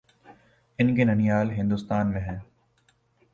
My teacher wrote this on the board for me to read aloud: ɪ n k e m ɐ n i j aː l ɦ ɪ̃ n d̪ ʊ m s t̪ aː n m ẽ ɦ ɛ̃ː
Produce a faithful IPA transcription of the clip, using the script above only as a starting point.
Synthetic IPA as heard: ɪ n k e n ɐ n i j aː l ɦ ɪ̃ n d̪ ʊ s t̪ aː n m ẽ ɦ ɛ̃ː